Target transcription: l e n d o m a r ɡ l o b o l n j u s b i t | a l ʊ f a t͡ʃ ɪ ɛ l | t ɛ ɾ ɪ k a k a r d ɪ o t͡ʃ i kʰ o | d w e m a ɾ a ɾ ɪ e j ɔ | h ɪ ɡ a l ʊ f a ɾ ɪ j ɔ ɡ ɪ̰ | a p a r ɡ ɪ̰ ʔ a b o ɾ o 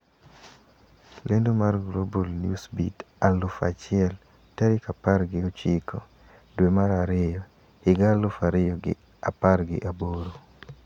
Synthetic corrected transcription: l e n d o m a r ɡ l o b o l n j u s b i t | a l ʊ f a t͡ʃ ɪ ɛ l | t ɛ ɾ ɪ k a p a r ɡ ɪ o t͡ʃ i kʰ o | d w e m a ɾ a ɾ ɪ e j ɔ | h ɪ ɡ a l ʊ f a ɾ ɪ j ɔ ɡ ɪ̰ | a p a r ɡ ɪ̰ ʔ a b o ɾ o